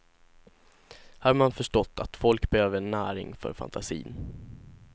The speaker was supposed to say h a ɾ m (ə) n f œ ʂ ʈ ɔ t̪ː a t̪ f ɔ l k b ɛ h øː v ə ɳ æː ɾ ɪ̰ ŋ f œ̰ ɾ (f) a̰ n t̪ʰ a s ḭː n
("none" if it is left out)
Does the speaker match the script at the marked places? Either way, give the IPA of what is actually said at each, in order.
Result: a, f

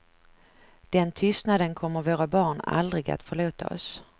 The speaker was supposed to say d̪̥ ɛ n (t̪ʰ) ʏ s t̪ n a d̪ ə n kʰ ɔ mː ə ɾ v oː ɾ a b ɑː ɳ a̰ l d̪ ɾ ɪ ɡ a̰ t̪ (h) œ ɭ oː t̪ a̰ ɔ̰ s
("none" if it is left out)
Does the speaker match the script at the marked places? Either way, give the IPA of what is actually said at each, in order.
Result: t̪ʰ, f

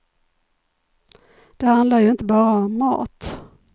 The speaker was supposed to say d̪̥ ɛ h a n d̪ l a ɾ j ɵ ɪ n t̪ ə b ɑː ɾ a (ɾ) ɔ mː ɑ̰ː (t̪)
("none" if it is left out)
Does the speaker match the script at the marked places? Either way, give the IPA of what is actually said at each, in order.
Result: none, t̪

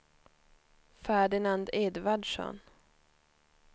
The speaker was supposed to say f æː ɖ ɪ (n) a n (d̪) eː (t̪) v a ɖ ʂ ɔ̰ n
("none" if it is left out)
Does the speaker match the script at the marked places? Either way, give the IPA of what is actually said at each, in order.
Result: n, d̪, d̪

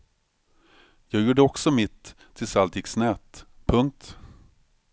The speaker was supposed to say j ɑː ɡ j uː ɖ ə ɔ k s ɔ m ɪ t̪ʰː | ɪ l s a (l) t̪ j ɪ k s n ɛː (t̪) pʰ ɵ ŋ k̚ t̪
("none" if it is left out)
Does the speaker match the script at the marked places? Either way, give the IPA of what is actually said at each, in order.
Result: l, t̪

